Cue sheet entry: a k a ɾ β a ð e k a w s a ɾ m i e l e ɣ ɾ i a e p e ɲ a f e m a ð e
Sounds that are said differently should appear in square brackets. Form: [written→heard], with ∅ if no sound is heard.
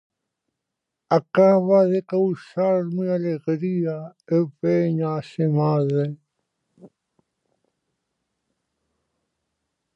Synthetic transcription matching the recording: a k a [ɾ→∅] β a ð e k a w s a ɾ m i [e→a] l e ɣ ɾ i a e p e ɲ a [f→s] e m a ð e